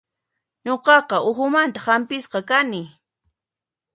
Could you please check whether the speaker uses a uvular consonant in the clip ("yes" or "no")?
yes